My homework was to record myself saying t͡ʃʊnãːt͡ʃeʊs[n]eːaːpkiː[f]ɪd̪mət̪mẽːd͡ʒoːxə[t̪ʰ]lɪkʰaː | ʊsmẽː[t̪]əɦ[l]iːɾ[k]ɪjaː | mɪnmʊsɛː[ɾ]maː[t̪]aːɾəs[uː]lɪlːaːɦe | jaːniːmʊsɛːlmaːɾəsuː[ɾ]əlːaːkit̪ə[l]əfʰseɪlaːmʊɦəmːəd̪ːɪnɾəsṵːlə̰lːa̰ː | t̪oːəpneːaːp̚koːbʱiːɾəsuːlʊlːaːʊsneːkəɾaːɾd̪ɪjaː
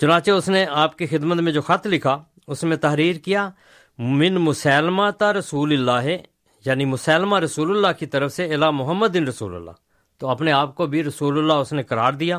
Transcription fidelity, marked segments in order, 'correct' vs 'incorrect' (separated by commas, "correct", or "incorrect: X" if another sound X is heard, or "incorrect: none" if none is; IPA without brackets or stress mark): correct, incorrect: x, correct, correct, incorrect: ɾ, correct, incorrect: l, correct, correct, incorrect: l, incorrect: ɾ